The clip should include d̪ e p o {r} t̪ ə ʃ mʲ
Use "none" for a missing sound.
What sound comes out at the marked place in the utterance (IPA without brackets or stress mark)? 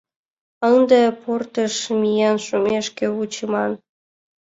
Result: r